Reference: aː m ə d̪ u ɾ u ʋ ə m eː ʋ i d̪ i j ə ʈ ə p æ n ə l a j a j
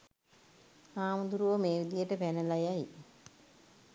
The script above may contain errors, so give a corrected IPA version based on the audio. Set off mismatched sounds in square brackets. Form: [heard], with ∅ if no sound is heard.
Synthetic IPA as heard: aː m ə d̪ u ɾ u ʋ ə m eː ʋ i d̪ i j ə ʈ ə p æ n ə l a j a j